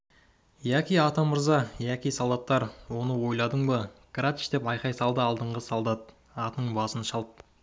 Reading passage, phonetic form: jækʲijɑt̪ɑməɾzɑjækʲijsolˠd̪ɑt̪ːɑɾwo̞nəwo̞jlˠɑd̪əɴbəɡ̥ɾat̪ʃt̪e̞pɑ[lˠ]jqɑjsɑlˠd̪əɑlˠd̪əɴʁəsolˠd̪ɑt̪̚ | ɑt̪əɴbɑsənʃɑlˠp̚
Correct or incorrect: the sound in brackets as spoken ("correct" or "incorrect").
incorrect